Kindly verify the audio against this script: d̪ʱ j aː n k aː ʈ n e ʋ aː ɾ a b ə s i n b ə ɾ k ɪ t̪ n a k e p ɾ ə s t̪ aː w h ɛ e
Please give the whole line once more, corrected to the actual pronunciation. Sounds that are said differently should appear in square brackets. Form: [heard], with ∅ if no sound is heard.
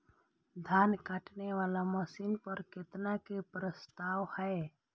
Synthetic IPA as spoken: d̪ʱ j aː n k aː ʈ n e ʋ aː [l] a [m] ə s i n [p] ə ɾ k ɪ t̪ n a k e p ɾ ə s t̪ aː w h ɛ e